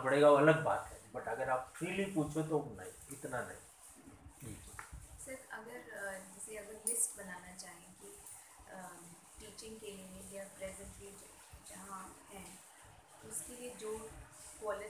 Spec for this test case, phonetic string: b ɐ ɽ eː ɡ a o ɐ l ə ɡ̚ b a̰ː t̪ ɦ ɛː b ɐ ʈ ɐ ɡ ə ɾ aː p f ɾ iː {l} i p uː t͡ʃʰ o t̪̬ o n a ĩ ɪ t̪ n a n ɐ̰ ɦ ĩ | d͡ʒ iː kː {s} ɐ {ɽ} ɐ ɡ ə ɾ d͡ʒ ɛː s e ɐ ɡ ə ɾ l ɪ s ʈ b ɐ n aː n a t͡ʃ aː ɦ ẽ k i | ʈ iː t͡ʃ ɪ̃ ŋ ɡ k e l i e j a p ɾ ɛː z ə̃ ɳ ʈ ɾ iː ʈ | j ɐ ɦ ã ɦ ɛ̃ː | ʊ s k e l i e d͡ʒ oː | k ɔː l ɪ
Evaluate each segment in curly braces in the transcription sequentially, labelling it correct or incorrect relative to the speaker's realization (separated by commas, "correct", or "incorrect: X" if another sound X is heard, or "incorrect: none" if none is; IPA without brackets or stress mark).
correct, correct, incorrect: ɾ